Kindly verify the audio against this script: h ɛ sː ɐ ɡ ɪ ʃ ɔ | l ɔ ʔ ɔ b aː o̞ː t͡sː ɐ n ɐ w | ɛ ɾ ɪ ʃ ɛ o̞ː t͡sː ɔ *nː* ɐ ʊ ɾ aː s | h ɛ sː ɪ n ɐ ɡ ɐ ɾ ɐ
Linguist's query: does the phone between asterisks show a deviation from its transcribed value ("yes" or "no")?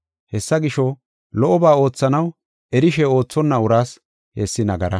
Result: no